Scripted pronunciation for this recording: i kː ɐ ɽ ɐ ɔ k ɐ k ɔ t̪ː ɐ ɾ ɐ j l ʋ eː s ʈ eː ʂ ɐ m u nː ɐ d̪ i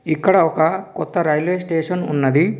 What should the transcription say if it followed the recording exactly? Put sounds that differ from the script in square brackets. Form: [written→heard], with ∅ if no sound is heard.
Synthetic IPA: i kː ɐ ɽ ɐ ɔ k ɐ k ɔ t̪ː ɐ ɾ ɐ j l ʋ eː s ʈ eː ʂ ɐ [m→n] u nː ɐ d̪ i